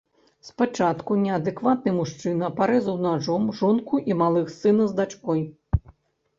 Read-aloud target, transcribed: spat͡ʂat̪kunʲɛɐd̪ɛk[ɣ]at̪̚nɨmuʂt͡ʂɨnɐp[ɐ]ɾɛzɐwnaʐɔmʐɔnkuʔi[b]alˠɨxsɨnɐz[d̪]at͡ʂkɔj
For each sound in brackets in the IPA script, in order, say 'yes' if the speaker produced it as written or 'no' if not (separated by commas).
no, no, no, yes